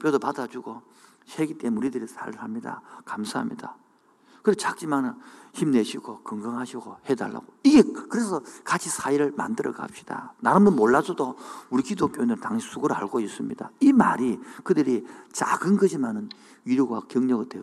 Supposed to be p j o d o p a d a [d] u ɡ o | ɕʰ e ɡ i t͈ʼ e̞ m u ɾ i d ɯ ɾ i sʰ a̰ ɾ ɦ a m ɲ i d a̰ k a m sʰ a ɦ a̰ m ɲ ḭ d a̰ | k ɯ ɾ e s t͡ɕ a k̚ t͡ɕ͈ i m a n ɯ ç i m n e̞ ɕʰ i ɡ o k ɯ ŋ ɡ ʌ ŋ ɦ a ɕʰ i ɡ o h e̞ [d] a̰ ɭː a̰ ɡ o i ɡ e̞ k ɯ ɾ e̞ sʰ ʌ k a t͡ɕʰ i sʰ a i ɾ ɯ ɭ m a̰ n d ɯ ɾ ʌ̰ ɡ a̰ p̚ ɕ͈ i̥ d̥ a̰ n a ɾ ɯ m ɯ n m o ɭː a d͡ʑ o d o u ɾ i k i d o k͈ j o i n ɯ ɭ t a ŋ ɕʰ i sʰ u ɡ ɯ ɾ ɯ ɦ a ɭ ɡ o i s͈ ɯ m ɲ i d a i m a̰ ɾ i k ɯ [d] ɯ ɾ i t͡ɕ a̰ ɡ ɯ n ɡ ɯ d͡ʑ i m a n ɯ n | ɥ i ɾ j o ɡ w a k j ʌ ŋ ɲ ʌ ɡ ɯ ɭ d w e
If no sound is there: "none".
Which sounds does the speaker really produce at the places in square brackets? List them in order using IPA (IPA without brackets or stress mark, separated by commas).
d͡ʑ, d, d